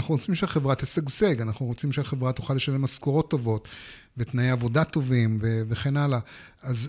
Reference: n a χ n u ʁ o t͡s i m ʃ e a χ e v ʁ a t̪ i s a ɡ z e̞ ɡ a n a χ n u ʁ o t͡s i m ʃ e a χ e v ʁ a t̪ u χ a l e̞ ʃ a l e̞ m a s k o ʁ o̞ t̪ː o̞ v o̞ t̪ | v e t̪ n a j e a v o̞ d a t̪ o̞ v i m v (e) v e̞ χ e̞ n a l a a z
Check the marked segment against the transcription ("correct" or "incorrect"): correct